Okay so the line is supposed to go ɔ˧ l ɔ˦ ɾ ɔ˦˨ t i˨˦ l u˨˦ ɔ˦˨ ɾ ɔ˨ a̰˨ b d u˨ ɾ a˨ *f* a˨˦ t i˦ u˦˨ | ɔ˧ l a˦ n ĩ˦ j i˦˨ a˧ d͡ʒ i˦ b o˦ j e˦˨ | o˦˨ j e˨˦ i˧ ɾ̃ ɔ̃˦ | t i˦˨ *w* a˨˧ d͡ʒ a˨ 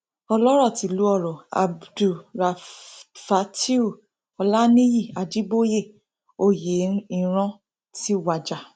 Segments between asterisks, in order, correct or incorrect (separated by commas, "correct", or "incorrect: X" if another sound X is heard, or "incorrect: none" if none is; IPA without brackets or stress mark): correct, correct